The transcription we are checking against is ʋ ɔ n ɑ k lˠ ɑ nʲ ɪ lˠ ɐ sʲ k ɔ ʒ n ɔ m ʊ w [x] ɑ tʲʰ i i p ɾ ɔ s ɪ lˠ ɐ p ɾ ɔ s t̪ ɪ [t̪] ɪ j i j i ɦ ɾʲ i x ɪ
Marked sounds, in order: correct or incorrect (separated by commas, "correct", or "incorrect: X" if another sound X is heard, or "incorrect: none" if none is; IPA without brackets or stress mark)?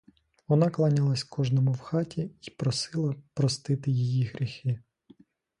correct, correct